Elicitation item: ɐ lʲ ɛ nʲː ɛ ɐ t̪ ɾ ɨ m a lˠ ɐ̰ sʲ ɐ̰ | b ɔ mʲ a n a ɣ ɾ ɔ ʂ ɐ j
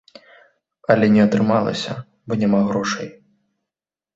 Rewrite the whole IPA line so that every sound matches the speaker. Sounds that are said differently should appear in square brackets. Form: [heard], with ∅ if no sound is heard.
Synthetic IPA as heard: ɐ lʲ ɛ [nʲ] ɛ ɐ t̪ ɾ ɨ m a lˠ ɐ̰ sʲ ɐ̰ | b ɔ [nʲ] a [m] a ɣ ɾ ɔ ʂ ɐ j